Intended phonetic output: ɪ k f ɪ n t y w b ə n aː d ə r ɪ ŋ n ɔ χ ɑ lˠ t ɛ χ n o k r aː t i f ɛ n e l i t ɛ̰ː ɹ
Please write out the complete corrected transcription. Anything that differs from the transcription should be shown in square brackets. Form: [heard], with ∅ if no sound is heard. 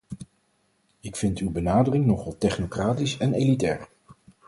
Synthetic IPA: ɪ k f ɪ n t y w b ə n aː d ə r ɪ ŋ n ɔ χ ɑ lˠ t ɛ χ n o k r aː t i [s] ɛ n e l i t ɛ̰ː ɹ